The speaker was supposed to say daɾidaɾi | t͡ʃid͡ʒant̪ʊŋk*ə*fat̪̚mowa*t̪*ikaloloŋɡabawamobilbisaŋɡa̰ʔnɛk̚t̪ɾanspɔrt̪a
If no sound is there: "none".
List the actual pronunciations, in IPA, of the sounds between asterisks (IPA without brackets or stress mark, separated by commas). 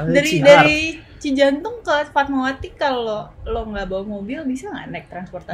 ə, t̪